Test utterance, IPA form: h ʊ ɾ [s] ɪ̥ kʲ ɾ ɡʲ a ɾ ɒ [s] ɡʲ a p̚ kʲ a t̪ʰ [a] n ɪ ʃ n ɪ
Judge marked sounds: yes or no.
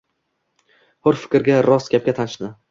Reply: no, yes, yes

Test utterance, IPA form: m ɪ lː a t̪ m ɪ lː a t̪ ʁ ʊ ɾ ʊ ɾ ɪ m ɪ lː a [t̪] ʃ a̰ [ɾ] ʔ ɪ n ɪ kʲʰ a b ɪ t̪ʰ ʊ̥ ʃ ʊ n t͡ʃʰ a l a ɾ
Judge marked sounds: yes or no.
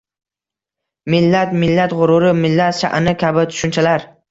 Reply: yes, no

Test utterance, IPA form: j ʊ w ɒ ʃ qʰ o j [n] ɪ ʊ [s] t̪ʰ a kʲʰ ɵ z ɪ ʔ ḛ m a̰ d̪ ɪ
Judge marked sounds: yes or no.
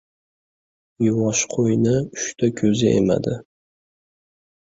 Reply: yes, no

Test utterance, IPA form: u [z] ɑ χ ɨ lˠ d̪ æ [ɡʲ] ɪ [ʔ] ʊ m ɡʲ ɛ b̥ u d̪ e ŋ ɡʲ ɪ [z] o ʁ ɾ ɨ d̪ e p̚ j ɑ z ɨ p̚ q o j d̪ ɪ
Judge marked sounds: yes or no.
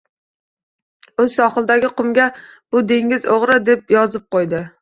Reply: no, yes, no, yes

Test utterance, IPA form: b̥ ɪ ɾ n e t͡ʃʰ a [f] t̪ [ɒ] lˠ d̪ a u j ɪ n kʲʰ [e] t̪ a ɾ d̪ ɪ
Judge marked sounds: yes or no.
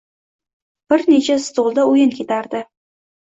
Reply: no, no, yes

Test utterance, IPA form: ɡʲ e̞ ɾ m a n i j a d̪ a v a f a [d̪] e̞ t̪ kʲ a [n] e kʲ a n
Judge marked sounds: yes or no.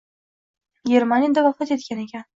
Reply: no, yes

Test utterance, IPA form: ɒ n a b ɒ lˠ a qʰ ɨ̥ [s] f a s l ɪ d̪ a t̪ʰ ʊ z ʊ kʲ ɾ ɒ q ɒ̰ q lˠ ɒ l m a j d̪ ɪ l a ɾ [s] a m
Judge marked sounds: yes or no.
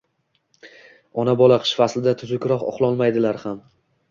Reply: no, no

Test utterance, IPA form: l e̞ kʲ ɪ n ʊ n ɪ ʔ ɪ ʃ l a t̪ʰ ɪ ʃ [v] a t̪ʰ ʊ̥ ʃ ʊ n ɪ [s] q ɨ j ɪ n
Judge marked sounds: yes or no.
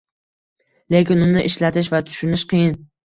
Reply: yes, no

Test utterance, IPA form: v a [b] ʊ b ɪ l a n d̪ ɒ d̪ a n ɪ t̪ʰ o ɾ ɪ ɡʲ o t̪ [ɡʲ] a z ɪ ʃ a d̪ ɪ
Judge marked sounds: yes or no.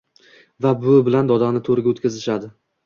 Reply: yes, no

